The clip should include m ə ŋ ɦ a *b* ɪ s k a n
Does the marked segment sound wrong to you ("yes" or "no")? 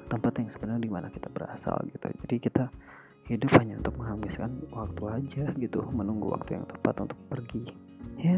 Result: yes